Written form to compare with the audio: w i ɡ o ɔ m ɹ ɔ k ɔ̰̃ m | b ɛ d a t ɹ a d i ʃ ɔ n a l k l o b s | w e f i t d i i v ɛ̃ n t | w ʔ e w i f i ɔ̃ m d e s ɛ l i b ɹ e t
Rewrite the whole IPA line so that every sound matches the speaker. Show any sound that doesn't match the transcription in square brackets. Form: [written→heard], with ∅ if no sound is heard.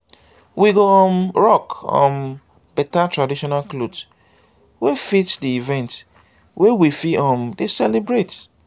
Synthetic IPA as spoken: w i ɡ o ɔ m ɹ ɔ k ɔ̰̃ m | b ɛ [d→t] a t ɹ a d i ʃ ɔ n a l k l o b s | w e f i t d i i v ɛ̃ n t | w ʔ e w i f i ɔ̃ m d e s ɛ l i b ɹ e t